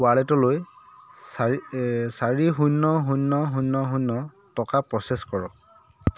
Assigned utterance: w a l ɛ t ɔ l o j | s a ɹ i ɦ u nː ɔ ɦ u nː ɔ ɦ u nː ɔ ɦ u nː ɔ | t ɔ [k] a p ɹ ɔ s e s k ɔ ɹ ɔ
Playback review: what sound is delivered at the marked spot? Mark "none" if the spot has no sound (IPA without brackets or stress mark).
k